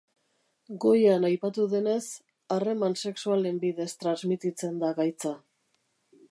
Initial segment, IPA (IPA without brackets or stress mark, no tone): ɡ